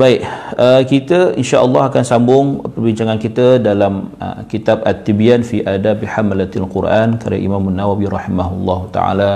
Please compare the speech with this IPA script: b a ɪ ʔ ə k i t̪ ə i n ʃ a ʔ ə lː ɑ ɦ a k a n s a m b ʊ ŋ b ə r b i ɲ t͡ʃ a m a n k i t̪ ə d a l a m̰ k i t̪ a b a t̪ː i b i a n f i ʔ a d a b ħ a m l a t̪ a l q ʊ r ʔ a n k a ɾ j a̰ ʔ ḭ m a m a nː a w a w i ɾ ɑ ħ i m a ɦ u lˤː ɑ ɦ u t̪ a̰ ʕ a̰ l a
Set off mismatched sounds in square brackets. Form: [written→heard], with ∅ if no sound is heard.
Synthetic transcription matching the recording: b a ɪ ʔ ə k i t̪ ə i n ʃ a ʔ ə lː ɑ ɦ a k a n s a m b ʊ ŋ [b→p] ə r b i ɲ t͡ʃ a [m→ŋ] a n k i t̪ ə d a l a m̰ k i t̪ a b a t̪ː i b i a n f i ʔ a d a b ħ a m l a t̪ a l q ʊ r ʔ a n k a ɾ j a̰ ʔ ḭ m a m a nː a w a w i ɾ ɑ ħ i m a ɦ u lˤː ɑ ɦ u t̪ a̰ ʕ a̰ l a